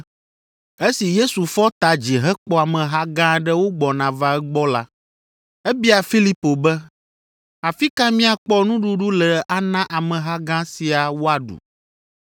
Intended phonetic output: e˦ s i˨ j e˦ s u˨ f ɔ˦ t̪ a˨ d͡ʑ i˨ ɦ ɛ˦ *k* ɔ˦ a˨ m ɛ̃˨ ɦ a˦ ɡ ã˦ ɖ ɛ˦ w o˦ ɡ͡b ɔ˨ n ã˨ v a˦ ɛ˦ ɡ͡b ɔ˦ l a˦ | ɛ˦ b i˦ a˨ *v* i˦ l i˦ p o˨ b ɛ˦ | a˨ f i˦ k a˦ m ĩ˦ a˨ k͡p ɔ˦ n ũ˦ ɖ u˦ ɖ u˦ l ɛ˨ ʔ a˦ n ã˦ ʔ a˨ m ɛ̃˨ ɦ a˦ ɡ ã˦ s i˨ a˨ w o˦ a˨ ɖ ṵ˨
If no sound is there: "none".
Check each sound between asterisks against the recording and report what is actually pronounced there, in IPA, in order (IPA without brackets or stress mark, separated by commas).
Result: k͡p, f